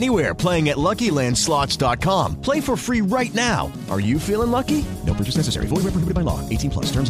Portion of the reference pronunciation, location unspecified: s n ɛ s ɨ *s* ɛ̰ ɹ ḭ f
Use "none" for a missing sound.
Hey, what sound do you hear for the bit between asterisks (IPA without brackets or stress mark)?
s